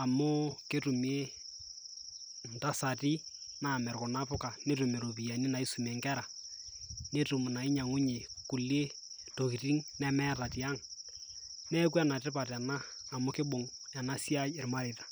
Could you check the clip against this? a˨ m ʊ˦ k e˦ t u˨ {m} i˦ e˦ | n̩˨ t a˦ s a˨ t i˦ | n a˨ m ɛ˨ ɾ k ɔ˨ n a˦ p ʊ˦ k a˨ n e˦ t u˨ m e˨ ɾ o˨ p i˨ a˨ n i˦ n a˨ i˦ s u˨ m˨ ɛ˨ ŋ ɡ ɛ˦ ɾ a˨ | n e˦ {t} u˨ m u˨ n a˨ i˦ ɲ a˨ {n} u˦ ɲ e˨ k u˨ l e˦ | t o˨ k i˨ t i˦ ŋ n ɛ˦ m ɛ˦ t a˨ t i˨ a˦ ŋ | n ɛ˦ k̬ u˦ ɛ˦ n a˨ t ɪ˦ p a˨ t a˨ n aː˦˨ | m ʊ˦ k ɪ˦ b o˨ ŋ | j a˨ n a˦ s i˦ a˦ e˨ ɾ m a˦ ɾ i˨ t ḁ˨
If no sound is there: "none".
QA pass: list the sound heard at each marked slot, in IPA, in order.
m, t, ŋ

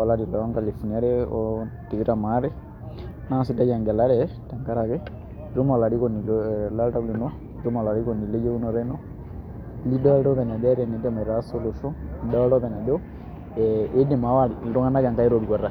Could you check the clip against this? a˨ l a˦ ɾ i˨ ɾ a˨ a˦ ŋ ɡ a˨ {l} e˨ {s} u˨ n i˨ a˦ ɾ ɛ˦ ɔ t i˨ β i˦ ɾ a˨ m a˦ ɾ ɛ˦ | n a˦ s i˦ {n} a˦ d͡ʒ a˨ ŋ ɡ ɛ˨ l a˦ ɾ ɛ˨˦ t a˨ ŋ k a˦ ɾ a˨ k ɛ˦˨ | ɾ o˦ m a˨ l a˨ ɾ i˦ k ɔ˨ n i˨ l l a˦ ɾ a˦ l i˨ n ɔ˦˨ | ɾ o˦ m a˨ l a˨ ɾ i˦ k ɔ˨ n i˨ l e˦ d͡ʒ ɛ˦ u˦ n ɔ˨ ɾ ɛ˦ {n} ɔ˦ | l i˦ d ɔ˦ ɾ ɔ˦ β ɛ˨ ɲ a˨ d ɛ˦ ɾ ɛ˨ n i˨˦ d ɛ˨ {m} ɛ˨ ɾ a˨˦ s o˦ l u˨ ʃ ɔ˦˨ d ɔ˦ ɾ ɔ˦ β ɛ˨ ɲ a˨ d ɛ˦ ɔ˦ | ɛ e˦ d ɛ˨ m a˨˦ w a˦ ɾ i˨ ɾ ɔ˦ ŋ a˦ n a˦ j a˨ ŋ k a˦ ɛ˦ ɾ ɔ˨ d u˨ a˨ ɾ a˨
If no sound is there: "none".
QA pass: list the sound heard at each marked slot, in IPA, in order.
l, f, d, n, m

